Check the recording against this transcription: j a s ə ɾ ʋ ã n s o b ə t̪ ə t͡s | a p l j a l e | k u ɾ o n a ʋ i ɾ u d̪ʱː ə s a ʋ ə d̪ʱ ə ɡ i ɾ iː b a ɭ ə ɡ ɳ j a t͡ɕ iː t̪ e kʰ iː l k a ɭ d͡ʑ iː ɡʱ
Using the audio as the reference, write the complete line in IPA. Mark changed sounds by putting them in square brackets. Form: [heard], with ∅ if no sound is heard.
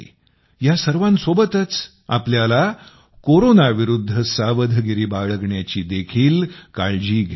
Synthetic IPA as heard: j a s ə ɾ ʋ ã n s o b ə t̪ ə t͡s | a p l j a l [a] | k [o] ɾ o n a ʋ i ɾ u d̪ʱː ə s a ʋ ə d̪ʱ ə ɡ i ɾ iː b a ɭ ə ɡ ɳ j a t͡ɕ iː [d̪] e kʰ iː l k a ɭ d͡ʑ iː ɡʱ